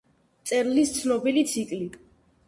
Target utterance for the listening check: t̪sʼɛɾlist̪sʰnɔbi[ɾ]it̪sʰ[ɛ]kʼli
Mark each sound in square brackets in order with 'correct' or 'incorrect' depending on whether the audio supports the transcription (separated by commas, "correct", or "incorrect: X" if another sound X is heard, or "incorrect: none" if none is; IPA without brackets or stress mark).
incorrect: l, incorrect: i